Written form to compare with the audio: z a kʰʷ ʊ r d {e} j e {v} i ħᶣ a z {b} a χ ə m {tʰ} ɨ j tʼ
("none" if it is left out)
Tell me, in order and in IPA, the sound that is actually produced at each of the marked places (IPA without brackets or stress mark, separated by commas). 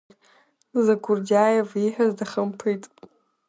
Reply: a, v, d, pʰ